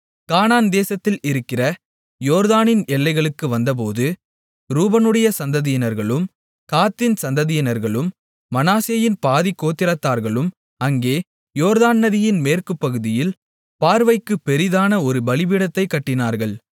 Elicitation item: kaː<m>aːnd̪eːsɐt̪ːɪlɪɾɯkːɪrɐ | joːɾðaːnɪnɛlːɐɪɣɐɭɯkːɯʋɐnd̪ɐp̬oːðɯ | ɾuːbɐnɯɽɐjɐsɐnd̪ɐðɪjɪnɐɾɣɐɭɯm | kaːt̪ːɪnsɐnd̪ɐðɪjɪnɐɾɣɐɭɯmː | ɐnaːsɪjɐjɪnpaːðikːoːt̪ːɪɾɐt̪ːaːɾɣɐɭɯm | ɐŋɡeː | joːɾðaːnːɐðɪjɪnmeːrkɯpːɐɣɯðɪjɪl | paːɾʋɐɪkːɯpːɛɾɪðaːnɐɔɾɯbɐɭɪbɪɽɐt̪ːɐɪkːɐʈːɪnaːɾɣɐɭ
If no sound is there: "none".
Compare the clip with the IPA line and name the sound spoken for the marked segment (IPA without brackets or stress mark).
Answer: n